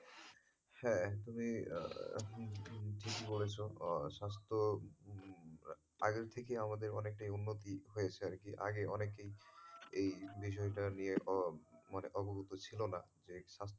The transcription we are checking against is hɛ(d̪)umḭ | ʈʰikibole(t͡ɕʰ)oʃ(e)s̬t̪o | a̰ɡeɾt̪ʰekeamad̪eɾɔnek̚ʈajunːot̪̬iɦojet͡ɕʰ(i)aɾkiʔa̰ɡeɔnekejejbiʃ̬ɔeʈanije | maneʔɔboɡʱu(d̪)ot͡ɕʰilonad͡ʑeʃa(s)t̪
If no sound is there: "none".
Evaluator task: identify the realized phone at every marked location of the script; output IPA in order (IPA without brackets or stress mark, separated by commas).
t̪, t͡ɕʰ, a, e, t̪, s